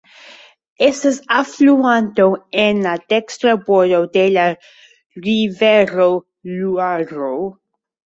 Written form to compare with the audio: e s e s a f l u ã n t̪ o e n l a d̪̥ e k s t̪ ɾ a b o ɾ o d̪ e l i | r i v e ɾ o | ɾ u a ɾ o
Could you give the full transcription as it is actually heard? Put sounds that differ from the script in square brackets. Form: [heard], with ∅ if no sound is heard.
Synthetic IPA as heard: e s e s a f l u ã n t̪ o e n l a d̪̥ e k s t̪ ɾ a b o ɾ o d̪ e l [a] | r i v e ɾ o | [l] u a ɾ o